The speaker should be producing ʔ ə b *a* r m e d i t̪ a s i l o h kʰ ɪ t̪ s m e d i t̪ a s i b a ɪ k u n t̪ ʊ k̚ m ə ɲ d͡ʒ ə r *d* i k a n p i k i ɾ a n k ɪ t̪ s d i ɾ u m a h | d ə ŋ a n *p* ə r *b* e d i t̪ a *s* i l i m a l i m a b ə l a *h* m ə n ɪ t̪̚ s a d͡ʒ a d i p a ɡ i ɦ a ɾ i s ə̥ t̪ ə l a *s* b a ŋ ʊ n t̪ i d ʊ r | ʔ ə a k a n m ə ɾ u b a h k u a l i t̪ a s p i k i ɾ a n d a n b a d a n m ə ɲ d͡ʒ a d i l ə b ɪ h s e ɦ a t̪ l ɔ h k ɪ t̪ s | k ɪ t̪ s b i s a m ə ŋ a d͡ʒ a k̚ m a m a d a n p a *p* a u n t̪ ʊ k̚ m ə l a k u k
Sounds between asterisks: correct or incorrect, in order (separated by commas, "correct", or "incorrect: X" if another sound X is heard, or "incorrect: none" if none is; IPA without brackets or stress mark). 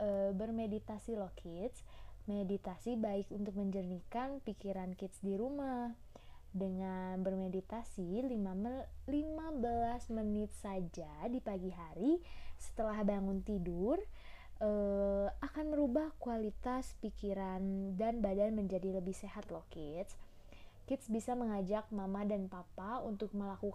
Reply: incorrect: ə, incorrect: n, incorrect: b, incorrect: m, correct, incorrect: s, incorrect: h, correct